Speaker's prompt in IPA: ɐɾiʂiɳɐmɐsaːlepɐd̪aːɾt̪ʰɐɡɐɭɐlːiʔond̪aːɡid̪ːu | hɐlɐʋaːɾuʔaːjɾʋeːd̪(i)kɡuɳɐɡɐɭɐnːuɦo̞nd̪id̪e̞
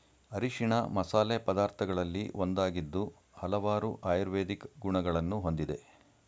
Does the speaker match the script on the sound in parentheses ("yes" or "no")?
yes